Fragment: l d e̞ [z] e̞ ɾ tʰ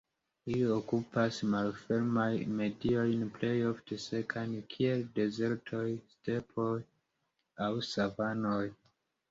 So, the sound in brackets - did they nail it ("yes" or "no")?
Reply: yes